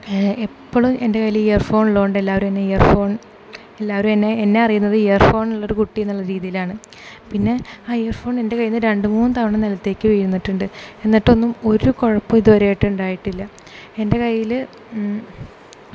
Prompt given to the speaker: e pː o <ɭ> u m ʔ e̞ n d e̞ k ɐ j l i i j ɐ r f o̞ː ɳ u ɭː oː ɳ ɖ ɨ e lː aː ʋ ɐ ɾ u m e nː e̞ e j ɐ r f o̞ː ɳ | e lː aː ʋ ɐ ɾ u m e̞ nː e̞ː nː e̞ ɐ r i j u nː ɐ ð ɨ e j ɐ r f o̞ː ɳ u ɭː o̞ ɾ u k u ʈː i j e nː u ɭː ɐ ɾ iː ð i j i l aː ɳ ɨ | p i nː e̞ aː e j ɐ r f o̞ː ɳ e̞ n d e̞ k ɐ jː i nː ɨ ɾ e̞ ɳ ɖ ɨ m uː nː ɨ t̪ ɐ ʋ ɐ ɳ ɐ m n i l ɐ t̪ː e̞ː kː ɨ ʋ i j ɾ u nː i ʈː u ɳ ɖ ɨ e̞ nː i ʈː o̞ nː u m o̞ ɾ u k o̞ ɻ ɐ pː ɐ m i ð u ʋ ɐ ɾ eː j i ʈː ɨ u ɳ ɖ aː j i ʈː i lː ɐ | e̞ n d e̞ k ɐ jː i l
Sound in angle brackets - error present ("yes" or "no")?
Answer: no